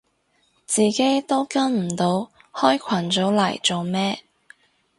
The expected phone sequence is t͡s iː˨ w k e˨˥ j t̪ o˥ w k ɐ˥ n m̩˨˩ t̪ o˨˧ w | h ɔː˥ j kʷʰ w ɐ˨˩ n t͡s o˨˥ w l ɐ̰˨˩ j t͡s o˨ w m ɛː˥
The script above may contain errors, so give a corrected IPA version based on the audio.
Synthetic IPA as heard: t͡s iː˨ k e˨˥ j t̪ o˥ w k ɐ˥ n m̩˨˩ t̪ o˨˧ w | h ɔː˥ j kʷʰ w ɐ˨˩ n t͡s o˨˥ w l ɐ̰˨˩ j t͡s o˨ w m ɛː˥